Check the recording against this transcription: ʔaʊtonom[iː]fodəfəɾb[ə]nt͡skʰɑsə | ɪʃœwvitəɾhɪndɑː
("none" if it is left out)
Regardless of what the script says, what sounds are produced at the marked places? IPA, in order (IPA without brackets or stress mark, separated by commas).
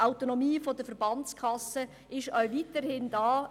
iː, ɑ